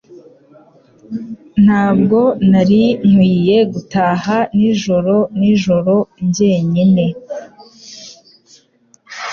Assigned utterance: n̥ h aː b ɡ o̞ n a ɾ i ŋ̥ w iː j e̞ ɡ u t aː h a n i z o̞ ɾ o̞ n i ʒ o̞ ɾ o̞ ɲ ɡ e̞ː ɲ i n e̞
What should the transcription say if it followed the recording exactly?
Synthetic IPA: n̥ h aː b ɡ o̞ n a ɾ i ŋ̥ w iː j e̞ ɡ u t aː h a n i ʒ o̞ ɾ o̞ n i ʒ o̞ ɾ o̞ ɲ ɟ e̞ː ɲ i n e̞